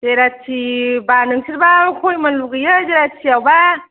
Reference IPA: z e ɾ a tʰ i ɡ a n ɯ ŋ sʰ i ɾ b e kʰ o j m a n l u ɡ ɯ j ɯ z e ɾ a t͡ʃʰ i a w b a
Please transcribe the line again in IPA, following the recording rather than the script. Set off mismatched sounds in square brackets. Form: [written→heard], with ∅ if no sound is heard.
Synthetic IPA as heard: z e ɾ a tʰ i [ɡ→b] a n ɯ ŋ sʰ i ɾ b [e→a] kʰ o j m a n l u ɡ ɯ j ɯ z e ɾ a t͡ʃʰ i a w b a